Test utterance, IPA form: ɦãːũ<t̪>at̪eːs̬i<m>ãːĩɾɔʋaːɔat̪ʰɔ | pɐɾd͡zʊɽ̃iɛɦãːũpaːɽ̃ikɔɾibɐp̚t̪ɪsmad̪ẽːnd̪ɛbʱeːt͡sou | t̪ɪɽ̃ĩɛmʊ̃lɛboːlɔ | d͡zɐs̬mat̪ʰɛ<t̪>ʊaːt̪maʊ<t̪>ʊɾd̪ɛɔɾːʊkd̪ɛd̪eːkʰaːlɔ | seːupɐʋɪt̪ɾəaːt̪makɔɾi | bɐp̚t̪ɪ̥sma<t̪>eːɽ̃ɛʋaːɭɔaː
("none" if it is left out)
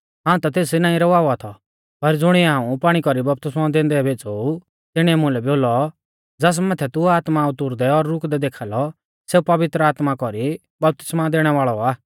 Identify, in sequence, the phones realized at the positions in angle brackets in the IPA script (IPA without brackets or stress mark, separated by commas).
t̪, n, t̪, t̪, d̪